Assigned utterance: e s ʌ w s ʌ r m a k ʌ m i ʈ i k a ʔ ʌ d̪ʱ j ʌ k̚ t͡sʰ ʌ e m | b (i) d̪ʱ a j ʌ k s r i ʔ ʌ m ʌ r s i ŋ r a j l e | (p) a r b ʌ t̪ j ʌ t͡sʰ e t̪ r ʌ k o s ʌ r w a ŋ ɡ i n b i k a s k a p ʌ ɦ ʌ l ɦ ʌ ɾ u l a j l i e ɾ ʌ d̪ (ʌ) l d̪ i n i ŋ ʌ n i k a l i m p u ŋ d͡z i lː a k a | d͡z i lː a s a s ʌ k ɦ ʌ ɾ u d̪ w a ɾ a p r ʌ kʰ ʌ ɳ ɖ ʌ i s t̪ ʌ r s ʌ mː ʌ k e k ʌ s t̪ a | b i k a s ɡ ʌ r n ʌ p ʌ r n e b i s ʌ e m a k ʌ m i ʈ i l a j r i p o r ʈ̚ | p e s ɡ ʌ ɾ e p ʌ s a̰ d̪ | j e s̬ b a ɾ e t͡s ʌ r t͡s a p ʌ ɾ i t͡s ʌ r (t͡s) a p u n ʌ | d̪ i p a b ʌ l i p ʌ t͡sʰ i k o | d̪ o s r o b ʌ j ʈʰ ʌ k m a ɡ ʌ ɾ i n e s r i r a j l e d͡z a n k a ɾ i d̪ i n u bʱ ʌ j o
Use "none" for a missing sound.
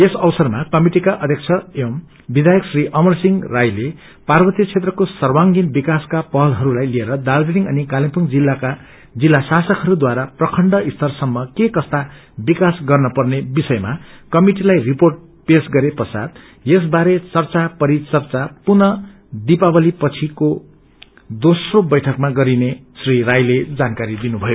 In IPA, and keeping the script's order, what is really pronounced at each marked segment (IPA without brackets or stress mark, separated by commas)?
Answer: i, p, a, t͡s